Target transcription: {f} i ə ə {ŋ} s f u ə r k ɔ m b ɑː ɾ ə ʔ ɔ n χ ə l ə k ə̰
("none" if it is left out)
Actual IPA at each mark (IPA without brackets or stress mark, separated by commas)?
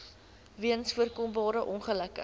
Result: v, n